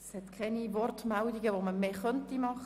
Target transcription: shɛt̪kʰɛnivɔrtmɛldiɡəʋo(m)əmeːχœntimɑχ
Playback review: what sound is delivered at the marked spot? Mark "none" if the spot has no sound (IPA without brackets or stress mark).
m